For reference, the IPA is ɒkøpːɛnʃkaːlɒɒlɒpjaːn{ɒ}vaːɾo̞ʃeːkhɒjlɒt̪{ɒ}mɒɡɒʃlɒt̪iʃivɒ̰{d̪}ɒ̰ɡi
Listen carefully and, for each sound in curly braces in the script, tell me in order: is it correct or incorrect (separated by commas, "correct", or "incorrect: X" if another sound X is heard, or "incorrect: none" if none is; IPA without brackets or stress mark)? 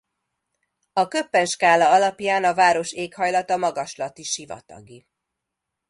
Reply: correct, correct, incorrect: t̪